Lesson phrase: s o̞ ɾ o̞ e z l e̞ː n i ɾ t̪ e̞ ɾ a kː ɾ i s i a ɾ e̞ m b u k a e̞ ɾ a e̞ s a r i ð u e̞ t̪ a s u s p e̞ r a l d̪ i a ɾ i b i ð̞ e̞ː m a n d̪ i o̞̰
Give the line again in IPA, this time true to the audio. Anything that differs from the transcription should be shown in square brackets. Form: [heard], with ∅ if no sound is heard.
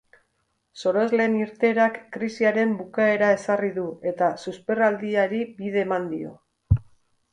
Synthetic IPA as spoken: s o̞ ɾ o̞ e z l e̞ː n i ɾ t̪ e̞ ɾ a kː ɾ i s i a ɾ e̞ m b u k a e̞ ɾ a e̞ s a r i ð u e̞ t̪ a s u s p e̞ r a l d̪ i a ɾ i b i ð̞ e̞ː m a n d̪ i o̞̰